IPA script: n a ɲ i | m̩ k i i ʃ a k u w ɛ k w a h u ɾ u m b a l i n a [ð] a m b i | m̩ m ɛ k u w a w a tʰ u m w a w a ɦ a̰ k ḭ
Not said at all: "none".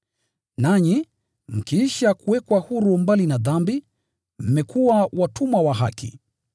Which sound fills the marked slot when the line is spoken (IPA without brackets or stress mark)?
ð